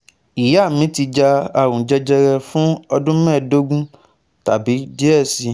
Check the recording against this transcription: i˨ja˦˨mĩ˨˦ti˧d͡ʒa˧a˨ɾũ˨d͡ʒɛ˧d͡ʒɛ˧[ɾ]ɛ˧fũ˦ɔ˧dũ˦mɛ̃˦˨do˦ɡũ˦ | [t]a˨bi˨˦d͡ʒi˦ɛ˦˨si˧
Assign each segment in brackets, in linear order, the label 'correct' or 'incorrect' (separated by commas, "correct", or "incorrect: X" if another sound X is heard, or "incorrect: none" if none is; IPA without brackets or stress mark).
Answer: correct, correct